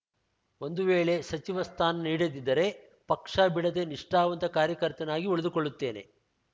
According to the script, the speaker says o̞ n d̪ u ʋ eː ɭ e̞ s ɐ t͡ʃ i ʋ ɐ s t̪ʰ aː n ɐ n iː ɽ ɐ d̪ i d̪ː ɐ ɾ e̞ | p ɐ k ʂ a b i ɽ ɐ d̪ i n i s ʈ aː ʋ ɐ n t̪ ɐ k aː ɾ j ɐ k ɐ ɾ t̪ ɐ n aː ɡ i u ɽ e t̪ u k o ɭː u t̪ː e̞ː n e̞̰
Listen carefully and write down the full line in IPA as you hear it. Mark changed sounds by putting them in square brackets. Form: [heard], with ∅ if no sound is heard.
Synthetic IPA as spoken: o̞ n d̪ u ʋ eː ɭ e̞ s ɐ t͡ʃ i ʋ ɐ s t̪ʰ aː n ɐ n iː ɽ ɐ d̪ i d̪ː ɐ ɾ e̞ | p ɐ k ʂ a b i ɽ ɐ d̪ [e] n i [ʂ] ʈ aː ʋ ɐ n t̪ ɐ k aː ɾ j ɐ k ɐ ɾ t̪ ɐ n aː ɡ i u [ɭ] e [d̪] u k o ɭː u t̪ː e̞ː n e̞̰